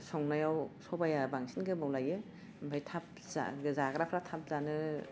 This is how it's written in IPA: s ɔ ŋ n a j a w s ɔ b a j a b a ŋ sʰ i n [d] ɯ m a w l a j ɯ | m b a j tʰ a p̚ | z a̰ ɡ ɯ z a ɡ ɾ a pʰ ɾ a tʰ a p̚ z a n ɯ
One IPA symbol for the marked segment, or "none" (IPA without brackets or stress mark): ɡ